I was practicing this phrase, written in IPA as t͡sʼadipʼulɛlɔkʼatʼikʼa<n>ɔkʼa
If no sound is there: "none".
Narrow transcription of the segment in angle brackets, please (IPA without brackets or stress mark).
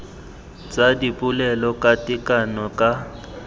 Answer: n